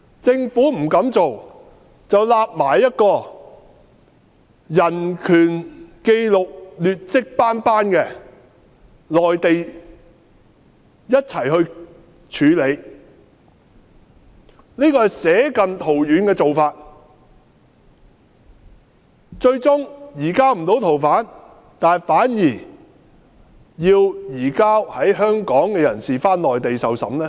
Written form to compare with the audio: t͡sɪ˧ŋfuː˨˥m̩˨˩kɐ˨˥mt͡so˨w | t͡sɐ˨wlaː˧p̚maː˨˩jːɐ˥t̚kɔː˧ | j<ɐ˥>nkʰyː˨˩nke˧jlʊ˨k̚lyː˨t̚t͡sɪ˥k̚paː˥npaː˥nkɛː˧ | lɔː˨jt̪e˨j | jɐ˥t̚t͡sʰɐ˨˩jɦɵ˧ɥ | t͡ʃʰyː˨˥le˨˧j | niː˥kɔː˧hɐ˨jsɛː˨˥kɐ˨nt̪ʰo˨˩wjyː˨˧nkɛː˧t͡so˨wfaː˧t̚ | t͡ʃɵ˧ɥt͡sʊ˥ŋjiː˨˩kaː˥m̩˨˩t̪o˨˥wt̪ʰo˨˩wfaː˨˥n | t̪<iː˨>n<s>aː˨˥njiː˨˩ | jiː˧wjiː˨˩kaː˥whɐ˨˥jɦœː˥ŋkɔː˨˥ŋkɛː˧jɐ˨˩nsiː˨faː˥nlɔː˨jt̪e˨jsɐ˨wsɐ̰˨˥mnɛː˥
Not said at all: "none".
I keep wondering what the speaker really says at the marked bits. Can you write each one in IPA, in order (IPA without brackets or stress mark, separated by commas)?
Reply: ɐ˨˩, aː˨, f